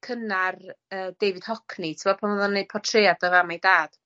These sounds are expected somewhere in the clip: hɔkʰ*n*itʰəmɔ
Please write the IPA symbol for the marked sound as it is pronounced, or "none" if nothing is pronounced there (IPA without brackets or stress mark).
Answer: n